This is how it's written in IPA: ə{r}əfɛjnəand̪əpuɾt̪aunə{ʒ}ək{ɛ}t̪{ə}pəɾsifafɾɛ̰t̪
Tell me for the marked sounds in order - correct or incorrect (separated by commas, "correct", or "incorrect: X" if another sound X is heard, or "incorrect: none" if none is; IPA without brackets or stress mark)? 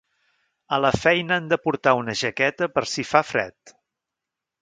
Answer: incorrect: l, correct, correct, correct